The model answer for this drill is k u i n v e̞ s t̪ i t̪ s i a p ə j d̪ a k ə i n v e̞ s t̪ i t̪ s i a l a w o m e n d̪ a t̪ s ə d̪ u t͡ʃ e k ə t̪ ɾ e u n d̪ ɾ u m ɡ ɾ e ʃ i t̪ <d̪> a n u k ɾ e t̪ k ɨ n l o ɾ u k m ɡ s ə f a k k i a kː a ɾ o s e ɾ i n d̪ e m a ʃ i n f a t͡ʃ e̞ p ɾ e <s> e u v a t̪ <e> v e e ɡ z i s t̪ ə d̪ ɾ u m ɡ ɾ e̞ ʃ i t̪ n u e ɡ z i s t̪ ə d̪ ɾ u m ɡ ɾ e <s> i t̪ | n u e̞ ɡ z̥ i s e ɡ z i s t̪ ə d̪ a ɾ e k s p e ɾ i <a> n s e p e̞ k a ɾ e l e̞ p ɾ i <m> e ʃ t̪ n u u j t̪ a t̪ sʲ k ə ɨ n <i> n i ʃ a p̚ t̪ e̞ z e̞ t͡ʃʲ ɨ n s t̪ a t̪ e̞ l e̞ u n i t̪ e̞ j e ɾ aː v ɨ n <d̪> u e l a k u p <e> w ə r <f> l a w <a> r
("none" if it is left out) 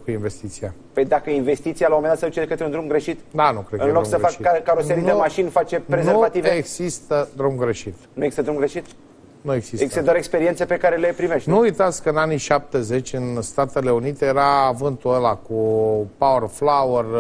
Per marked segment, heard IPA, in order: d̪, z, i, ʃ, e, m, a, t̪, a, f, ə

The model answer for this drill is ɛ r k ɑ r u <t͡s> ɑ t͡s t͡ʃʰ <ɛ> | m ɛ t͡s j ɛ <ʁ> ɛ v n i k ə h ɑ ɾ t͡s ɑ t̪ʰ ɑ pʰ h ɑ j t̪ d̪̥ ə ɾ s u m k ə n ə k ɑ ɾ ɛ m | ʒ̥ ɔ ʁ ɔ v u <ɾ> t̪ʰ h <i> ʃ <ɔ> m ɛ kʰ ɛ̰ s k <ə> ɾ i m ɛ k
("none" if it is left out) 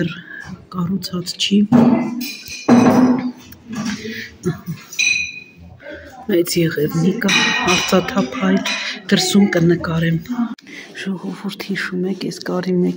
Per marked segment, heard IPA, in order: t͡sʰ, i, ʁ, ɾ, i, u, ɑ

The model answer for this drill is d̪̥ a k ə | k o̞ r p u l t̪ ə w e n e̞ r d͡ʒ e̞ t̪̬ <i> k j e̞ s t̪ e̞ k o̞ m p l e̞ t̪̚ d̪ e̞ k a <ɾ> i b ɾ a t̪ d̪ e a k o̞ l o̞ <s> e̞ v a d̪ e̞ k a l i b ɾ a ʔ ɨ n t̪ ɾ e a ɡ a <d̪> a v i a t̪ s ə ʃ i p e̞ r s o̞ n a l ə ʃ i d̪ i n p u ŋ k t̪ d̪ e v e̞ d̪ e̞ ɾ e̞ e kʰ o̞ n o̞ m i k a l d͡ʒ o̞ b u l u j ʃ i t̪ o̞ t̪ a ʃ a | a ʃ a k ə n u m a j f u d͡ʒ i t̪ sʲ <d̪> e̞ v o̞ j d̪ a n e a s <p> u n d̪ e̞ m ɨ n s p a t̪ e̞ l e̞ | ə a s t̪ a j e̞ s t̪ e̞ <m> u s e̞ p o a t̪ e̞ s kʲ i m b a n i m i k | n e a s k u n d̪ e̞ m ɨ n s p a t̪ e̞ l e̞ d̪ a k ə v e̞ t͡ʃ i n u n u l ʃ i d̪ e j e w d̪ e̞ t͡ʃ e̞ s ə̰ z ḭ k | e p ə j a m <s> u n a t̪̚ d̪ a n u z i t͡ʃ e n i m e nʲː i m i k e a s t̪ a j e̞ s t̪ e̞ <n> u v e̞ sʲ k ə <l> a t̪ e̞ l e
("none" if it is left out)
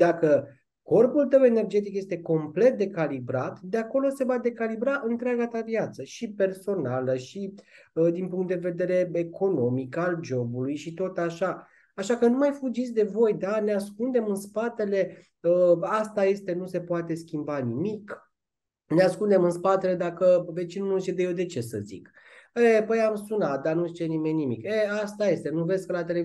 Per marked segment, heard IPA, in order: i, l, s, t̪, d̪, k, n, s, n, l

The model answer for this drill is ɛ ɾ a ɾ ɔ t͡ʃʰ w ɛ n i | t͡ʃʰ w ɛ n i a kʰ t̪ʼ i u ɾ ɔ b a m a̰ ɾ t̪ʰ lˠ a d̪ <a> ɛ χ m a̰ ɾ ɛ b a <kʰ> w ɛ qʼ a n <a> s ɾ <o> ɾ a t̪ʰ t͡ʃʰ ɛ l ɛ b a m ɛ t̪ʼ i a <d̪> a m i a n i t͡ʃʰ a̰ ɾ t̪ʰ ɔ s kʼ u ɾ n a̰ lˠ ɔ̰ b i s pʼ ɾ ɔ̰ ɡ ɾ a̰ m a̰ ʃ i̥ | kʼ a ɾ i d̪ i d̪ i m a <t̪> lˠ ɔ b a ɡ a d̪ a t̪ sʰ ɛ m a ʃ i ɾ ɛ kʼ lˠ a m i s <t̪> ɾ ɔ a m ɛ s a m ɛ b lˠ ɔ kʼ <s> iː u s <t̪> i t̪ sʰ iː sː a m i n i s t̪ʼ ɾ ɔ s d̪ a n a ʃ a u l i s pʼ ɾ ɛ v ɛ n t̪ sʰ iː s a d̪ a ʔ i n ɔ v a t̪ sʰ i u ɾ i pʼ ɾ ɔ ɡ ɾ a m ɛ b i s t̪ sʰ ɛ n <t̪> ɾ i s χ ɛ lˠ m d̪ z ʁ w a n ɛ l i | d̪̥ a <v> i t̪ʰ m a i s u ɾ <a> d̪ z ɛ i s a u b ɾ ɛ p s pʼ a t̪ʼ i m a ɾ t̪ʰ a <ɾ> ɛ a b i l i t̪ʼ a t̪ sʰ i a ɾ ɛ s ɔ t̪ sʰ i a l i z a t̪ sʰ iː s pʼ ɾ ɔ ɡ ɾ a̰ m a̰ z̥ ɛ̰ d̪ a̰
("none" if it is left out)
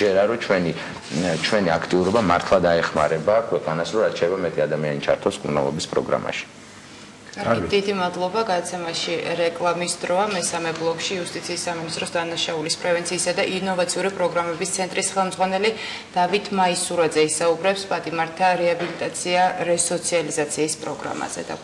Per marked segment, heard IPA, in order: a, kʰ, a, ɔ, d̪, d̪, d̪, ʃ, t̪ʼ, t̪ʼ, v, a, ɾ

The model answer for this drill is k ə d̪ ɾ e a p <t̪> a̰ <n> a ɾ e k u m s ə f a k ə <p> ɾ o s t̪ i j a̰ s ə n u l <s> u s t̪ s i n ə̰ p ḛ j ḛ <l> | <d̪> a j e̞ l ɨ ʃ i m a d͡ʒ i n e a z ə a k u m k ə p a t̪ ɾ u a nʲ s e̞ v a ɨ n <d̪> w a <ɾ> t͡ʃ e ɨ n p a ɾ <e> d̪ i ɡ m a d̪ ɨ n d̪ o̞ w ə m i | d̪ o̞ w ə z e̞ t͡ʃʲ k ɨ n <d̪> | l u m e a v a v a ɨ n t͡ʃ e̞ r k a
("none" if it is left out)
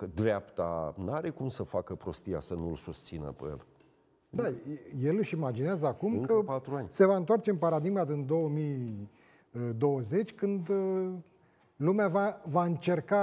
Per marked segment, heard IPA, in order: t̪, n, p, s, l, d̪, t̪, r, a, d̪

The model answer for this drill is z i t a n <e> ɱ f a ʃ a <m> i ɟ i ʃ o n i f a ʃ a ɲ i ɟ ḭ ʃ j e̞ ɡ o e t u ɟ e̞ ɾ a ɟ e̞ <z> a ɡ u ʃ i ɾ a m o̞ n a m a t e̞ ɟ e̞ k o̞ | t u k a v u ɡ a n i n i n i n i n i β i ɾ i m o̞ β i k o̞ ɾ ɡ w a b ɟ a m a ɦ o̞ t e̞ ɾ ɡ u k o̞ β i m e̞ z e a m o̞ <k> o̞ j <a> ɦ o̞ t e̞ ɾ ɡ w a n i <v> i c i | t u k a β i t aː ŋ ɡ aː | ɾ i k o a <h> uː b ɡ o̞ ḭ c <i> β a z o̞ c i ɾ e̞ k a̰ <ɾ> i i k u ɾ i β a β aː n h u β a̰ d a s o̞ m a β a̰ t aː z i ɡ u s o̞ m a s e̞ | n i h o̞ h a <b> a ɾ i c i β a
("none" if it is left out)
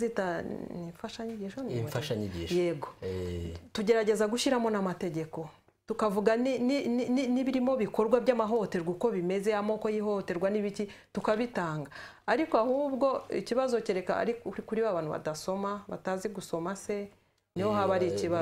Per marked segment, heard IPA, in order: i, ɲ, z, k, i, β, h, i, ɾ, β

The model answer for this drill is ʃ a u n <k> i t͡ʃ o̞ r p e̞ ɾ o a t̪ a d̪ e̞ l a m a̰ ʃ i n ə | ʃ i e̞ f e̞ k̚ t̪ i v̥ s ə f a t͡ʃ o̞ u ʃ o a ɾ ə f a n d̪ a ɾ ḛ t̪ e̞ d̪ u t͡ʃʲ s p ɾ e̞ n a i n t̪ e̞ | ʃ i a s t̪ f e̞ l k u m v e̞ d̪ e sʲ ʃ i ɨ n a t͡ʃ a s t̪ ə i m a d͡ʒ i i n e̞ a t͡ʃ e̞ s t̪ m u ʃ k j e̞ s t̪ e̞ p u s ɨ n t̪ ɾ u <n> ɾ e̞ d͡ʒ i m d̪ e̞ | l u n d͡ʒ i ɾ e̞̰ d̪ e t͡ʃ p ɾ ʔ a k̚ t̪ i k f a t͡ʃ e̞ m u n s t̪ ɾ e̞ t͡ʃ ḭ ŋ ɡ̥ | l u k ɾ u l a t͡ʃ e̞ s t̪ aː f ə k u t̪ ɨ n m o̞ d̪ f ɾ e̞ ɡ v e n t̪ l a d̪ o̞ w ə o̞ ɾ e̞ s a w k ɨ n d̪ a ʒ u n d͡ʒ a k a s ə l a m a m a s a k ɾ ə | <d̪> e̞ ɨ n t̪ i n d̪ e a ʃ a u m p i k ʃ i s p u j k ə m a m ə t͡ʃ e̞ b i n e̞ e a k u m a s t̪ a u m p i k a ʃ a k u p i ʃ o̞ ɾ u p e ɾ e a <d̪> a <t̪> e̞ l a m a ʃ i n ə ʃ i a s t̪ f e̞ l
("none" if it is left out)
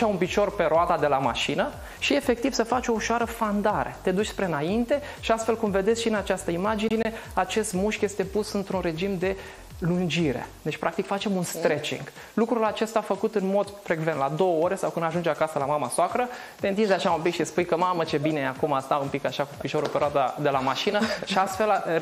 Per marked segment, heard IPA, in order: p, n, t̪, d̪, d̪

